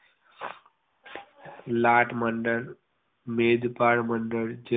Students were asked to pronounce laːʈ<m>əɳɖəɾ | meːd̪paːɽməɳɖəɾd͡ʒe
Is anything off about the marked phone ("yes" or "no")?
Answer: no